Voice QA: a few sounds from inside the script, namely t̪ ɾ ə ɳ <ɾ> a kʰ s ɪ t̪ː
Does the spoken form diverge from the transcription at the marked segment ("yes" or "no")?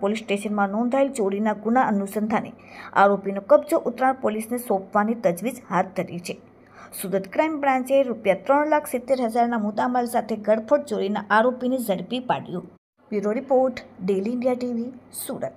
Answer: yes